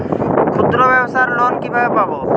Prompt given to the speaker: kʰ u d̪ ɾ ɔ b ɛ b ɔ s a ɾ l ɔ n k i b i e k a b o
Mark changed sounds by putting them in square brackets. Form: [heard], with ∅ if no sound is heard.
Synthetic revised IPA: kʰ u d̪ ɾ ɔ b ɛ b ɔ s a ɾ l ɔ n k i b [a] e [p] a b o